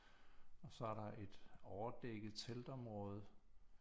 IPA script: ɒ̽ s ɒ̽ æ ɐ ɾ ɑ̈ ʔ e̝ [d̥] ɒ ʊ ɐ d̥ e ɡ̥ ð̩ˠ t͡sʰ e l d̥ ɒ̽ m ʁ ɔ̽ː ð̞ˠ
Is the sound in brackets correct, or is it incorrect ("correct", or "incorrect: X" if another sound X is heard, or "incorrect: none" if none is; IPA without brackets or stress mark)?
correct